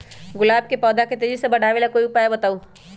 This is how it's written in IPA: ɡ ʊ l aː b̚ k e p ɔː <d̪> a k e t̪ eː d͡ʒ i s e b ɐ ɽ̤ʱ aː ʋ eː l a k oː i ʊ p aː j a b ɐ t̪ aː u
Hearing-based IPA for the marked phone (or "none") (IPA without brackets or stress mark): d̪